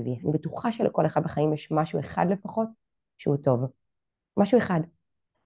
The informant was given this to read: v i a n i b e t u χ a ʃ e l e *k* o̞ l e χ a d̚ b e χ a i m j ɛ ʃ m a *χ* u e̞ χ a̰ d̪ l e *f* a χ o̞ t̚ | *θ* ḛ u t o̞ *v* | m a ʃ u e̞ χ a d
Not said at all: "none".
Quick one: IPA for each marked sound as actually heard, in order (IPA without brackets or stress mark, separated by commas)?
k, ʃ, f, ʃ, v